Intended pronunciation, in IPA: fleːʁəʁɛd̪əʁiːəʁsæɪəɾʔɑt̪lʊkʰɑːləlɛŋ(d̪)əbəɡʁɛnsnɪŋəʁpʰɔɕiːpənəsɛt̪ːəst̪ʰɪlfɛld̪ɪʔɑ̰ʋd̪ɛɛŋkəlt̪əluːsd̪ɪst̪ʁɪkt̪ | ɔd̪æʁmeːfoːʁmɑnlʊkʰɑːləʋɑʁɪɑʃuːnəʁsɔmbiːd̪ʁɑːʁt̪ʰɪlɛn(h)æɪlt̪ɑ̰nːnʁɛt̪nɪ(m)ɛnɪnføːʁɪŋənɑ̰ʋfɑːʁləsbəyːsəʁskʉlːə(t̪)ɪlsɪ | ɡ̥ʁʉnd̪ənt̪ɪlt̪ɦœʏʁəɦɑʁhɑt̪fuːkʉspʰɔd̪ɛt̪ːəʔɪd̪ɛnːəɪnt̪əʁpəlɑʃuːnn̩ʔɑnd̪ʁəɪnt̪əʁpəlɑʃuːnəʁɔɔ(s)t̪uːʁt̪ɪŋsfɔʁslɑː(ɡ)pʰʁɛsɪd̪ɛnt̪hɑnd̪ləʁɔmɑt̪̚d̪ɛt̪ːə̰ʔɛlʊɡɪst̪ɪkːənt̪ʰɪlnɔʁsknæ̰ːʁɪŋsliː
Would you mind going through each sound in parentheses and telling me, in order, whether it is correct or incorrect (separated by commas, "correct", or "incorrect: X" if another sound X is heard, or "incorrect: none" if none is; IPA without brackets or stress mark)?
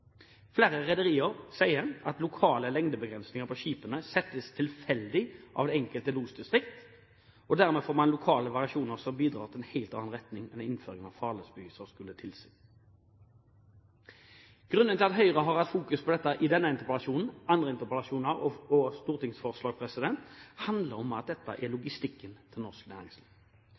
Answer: correct, correct, incorrect: ŋ, incorrect: t̪ʰ, correct, correct